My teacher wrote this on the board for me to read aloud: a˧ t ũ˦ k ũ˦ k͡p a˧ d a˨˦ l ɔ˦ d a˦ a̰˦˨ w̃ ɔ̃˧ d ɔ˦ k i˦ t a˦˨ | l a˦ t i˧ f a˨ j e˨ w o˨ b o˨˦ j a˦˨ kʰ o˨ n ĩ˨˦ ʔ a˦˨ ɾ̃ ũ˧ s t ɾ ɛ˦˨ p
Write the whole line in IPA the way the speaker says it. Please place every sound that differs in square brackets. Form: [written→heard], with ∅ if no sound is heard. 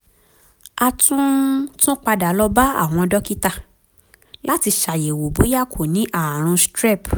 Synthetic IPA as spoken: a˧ t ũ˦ [k→t] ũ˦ k͡p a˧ d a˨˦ l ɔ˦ [d→b] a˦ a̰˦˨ w̃ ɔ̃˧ d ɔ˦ k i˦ t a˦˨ | l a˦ t i˧ [f→ʃ] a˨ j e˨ w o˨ b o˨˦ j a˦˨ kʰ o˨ n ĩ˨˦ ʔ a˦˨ ɾ̃ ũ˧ s t ɾ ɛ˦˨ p